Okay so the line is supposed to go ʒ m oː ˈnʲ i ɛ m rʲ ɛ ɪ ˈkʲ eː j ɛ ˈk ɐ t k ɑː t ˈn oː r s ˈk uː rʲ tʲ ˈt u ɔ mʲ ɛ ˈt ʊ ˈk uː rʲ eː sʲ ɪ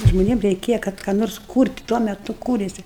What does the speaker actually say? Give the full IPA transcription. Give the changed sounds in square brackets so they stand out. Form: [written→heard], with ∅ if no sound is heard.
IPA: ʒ m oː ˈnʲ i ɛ m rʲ ɛ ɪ ˈkʲ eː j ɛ ˈk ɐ t k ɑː [t→∅] ˈn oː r s ˈk uː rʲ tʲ ˈt u ɔ mʲ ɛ ˈt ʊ ˈk uː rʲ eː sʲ ɪ